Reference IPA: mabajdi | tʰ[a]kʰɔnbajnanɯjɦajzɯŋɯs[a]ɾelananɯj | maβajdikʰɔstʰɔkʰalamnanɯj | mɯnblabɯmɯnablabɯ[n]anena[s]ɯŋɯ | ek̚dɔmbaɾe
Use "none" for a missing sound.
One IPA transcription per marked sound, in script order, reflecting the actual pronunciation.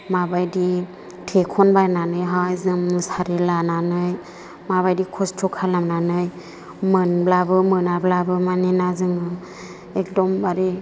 e, a, m, z

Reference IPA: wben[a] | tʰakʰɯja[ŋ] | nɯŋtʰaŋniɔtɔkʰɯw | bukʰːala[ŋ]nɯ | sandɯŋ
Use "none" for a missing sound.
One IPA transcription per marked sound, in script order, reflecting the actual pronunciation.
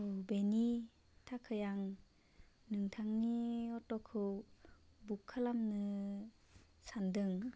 i, ŋ, m

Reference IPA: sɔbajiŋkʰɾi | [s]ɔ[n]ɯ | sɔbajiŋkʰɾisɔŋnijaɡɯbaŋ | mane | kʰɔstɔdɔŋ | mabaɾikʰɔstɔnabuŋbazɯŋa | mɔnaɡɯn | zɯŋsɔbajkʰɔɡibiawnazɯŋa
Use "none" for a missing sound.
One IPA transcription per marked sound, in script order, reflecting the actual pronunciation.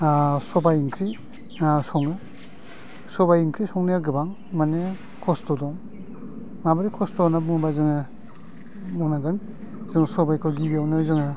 s, ŋ

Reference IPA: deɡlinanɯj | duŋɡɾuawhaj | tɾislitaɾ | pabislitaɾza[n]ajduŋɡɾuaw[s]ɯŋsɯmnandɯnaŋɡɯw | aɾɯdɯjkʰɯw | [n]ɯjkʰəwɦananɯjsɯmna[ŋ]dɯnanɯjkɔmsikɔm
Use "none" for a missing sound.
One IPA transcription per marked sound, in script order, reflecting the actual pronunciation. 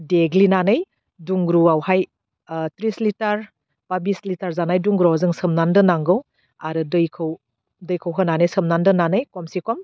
n, z, d, n

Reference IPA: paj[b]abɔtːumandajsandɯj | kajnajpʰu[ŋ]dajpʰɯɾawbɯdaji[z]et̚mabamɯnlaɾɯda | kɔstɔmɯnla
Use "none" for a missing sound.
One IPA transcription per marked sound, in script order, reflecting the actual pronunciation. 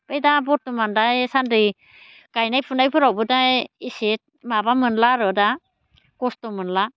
d, n, s

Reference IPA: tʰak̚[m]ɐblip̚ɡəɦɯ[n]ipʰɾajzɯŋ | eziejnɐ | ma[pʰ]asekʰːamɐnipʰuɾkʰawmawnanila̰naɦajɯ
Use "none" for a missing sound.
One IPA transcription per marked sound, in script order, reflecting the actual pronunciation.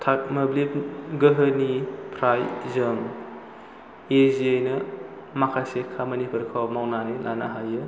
m, n, kʰ

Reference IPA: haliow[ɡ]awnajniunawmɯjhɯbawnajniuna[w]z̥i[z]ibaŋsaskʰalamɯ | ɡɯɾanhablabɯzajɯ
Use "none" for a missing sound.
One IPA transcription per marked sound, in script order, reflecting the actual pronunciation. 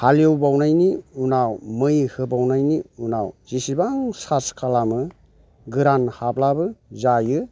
b, w, s

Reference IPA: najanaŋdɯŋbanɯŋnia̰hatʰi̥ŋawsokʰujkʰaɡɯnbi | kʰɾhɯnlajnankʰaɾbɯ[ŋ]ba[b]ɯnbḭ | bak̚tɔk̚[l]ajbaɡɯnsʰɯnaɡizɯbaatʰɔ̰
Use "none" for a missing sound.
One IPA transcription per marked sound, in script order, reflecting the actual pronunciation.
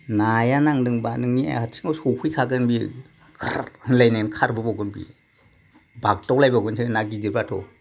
none, ɡ, l

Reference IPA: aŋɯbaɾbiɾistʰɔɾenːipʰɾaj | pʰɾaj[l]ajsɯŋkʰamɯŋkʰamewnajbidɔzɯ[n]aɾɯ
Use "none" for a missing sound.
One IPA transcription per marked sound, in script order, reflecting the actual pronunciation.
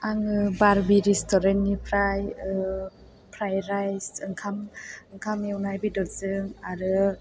ɾ, ŋ

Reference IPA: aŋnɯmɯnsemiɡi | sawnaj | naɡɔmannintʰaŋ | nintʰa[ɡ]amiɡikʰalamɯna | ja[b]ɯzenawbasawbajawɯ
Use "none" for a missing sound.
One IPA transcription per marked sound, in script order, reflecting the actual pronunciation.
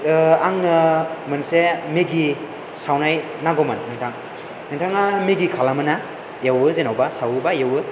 ŋ, w

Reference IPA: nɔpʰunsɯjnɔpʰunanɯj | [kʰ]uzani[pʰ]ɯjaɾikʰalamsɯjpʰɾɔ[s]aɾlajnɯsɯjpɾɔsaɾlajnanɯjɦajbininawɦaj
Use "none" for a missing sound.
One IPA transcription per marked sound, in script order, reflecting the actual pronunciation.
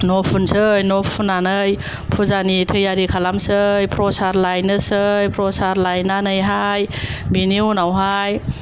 pʰ, tʰ, s

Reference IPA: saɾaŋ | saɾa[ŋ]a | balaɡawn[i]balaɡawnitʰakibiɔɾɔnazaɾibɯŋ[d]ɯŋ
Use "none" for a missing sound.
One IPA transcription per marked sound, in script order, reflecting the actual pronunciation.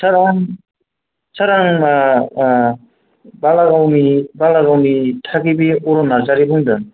ŋ, i, d

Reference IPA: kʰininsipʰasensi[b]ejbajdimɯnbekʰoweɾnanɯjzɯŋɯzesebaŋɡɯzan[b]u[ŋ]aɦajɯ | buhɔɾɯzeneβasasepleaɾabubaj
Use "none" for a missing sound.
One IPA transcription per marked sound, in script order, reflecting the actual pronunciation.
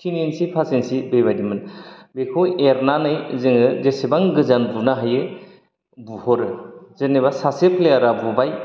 b, b, n

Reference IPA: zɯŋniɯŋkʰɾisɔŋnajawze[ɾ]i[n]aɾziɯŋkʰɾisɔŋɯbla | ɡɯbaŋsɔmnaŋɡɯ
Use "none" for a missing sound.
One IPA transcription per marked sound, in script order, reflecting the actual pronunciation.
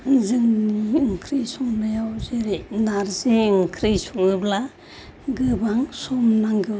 ɾ, n

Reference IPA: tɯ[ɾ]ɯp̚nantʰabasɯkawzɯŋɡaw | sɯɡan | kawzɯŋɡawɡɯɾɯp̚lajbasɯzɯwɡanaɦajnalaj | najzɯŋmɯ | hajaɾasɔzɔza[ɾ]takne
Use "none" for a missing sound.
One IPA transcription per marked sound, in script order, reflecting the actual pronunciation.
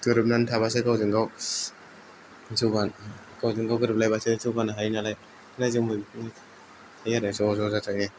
ɾ, none

